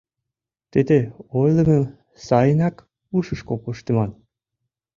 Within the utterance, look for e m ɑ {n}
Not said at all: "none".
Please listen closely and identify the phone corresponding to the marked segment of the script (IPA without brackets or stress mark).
n